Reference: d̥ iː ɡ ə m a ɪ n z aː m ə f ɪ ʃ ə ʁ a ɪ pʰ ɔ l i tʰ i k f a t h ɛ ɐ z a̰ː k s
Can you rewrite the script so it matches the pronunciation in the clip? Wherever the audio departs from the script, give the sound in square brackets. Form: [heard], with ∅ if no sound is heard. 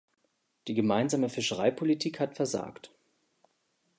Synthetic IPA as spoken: d̥ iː ɡ ə m a ɪ n z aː m ə f ɪ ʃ ə ʁ a ɪ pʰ [o] l i tʰ [iː] k [h] a t [f] ɛ ɐ z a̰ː k [t]